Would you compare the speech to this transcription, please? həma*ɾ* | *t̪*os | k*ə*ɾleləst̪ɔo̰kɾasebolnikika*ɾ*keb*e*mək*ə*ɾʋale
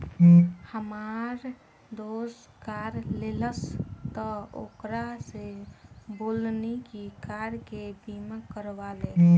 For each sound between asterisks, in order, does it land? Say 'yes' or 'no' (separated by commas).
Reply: yes, no, no, yes, no, yes